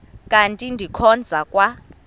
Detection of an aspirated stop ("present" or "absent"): present